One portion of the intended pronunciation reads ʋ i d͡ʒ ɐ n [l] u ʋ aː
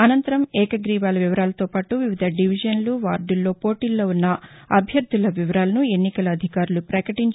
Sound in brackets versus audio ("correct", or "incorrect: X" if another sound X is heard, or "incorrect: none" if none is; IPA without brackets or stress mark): correct